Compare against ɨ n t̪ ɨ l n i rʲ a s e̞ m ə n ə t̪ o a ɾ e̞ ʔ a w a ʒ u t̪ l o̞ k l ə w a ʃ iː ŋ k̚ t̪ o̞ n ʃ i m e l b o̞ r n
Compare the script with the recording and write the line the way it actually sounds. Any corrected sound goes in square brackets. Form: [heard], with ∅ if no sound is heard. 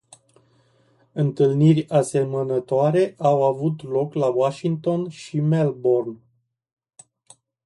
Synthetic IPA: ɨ n t̪ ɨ l n i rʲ a s e̞ m ə n ə t̪ o a ɾ e̞ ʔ a w a [v] u t̪ l o̞ k l [a] w a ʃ [i] ŋ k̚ t̪ o̞ n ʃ i m e l b o̞ r n